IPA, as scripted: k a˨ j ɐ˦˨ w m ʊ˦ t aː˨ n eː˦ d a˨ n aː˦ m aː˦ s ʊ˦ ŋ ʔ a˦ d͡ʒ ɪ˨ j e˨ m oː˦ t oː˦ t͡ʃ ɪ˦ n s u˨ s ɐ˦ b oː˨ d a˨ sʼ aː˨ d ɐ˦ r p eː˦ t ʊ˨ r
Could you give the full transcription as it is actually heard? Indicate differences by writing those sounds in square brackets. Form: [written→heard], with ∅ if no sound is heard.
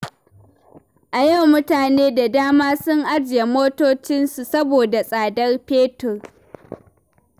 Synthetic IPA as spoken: [k→ʔ] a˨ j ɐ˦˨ w m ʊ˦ t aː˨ n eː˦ d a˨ [n→d] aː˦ m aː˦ s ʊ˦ ŋ ʔ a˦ d͡ʒ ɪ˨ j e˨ m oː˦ t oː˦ t͡ʃ ɪ˦ n s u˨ s ɐ˦ b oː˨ d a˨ sʼ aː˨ d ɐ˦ r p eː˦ t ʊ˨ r